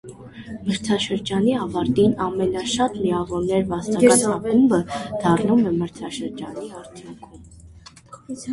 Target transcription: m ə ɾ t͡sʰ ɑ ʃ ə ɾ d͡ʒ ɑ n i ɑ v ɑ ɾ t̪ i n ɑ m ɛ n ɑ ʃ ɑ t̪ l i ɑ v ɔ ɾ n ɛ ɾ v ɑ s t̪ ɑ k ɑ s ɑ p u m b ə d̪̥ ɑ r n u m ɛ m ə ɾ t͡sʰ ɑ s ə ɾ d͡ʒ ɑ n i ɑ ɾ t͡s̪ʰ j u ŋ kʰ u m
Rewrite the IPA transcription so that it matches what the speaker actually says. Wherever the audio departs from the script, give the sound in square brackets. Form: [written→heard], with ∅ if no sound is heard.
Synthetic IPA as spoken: m ə ɾ t͡sʰ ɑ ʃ ə ɾ d͡ʒ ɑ n i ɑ v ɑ ɾ t̪ i n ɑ m ɛ n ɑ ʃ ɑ t̪ l i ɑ v ɔ ɾ n ɛ ɾ v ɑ s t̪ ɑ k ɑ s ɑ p u m b ə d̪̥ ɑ r n u m ɛ m ə ɾ t͡sʰ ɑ [s→ʃ] ə ɾ d͡ʒ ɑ n i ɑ ɾ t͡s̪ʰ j u ŋ kʰ u m

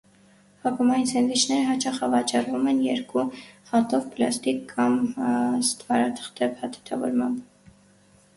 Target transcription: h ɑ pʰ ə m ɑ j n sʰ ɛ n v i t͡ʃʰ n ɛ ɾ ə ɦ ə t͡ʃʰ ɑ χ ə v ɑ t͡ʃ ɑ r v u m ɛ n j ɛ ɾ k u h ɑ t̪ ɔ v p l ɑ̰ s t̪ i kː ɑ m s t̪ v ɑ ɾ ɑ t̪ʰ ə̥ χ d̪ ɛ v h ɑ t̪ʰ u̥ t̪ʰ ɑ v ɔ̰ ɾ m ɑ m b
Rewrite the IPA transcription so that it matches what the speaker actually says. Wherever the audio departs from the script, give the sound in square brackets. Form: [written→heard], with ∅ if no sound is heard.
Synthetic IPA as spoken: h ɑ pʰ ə m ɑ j n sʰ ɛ n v i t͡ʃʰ n ɛ ɾ ə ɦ [ə→ɑ] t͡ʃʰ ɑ χ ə v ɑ t͡ʃ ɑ r v u m ɛ n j ɛ ɾ k u h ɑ t̪ ɔ v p l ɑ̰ s t̪ i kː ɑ m s t̪ v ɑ ɾ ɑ t̪ʰ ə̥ χ [d̪→t̪] ɛ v h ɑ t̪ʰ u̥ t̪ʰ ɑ v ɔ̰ ɾ m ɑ m b

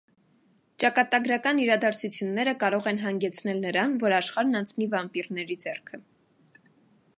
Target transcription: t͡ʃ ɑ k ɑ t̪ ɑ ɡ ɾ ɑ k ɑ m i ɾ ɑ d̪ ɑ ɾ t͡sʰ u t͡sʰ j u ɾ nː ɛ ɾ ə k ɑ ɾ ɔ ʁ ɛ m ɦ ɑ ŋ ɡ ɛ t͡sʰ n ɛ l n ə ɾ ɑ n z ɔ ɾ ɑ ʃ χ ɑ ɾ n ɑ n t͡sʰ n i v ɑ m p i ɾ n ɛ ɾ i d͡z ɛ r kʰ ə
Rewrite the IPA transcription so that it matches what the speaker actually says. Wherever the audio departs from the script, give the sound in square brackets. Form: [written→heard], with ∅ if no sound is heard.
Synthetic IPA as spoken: t͡ʃ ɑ k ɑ t̪ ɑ ɡ ɾ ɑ k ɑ [m→n] i ɾ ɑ d̪ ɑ ɾ t͡sʰ u t͡sʰ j u [ɾ→∅] nː ɛ ɾ ə k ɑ ɾ ɔ ʁ ɛ [m→n] ɦ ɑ ŋ ɡ ɛ t͡sʰ n ɛ l n ə ɾ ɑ n [z→v] ɔ ɾ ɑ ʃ χ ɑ ɾ n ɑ n t͡sʰ n i v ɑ m p i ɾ n ɛ ɾ i d͡z ɛ r kʰ ə

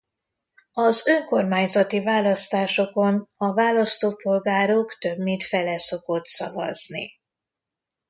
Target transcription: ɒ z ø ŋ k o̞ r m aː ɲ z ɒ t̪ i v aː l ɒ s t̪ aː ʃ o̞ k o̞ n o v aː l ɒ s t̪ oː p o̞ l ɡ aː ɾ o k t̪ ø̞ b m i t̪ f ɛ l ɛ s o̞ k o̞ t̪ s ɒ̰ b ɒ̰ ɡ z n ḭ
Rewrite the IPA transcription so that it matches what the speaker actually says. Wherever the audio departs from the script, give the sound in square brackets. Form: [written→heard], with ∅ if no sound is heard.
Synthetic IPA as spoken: ɒ z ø ŋ k o̞ r m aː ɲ z ɒ t̪ i v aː l ɒ s t̪ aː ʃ o̞ k o̞ n [o→ɒ] v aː l ɒ s t̪ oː p o̞ l ɡ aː ɾ o k t̪ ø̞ b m i t̪ f ɛ l ɛ s o̞ k o̞ t̪ s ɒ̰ [b→v] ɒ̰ [ɡ→∅] z n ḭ

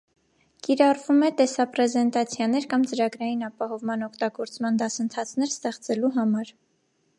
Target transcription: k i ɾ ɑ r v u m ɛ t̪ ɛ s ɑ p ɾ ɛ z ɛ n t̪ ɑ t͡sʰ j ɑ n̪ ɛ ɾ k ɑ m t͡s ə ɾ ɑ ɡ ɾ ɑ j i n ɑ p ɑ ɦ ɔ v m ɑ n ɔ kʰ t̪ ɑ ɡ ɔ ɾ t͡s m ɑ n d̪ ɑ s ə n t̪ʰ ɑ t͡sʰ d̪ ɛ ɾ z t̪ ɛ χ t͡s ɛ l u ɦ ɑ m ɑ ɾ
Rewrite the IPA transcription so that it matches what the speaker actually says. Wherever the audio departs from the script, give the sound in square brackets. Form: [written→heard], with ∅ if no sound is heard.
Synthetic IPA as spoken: k i ɾ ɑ r v u m ɛ t̪ ɛ s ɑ p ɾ ɛ z ɛ n t̪ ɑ t͡sʰ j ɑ n̪ ɛ ɾ k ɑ m t͡s ə ɾ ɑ ɡ ɾ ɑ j i n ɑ p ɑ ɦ ɔ v m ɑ n ɔ kʰ t̪ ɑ ɡ ɔ ɾ t͡s m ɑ n d̪ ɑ s ə n t̪ʰ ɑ t͡sʰ [d̪→n̪] ɛ ɾ [z→s] t̪ ɛ χ t͡s ɛ l u ɦ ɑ m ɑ ɾ

